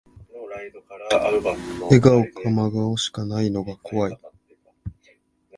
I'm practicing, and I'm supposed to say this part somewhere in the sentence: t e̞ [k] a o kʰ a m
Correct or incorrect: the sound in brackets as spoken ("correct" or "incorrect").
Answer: incorrect